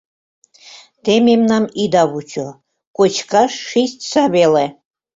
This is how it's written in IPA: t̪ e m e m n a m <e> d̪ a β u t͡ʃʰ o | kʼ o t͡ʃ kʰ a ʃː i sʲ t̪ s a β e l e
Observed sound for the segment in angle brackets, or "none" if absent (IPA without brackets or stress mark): i